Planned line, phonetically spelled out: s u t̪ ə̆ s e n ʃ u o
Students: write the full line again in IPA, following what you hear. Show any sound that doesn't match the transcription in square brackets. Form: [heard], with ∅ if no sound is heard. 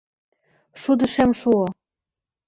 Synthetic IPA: [ʃ] u [d̪] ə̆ [ʃ] e [m] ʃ u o